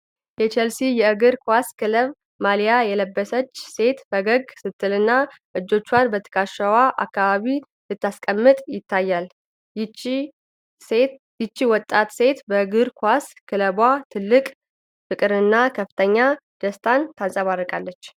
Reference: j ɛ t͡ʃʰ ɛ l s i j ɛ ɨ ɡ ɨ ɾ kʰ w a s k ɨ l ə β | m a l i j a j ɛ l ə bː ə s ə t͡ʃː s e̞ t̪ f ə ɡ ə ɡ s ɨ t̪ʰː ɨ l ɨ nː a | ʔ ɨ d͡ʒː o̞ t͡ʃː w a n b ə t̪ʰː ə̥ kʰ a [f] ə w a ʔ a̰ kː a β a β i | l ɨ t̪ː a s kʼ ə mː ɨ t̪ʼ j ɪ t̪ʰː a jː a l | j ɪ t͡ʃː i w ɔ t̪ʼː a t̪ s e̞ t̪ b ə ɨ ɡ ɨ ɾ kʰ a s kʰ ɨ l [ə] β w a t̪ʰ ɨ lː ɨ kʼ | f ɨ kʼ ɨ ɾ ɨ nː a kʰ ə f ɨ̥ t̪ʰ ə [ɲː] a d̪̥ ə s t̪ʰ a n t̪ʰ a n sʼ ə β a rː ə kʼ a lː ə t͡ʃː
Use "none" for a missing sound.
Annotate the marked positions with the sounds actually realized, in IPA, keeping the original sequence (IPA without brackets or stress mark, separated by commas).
ʃ, ə, ɲː